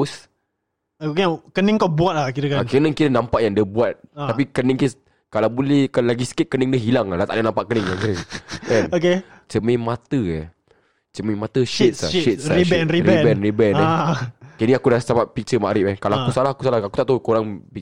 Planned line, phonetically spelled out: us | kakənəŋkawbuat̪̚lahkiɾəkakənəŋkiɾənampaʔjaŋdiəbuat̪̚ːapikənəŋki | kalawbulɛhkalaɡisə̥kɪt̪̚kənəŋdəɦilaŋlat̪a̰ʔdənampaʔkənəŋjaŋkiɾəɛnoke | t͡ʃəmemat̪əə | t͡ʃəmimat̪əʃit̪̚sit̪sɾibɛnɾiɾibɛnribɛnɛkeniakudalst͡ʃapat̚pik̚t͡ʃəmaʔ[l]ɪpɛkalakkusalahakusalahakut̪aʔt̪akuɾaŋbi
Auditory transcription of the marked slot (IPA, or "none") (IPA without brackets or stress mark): ɾ